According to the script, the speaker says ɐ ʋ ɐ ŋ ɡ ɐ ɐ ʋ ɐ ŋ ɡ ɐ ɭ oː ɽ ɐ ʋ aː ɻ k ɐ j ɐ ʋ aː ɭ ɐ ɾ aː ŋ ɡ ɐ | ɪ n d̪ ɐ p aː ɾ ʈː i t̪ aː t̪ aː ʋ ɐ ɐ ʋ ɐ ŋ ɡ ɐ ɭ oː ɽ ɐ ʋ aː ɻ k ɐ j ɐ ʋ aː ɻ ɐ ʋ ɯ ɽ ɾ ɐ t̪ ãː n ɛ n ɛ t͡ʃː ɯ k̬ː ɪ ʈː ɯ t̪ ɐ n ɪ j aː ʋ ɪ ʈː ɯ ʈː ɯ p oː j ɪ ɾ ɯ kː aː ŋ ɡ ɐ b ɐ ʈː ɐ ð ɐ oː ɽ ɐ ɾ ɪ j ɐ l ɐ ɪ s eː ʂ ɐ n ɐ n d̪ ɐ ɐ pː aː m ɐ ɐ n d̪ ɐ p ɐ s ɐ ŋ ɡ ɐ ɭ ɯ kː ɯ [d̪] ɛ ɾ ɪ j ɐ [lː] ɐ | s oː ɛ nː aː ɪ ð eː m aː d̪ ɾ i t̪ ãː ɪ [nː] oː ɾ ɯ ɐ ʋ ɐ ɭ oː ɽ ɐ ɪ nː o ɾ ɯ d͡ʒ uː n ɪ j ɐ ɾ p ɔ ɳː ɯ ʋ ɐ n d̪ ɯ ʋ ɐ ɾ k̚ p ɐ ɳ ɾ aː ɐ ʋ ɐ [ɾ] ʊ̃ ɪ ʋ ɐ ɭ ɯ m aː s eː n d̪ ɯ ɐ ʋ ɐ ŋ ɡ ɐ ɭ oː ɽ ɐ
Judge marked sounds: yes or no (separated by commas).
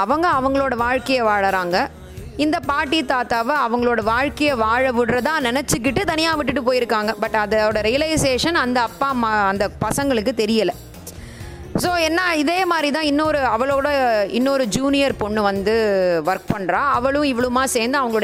no, no, yes, no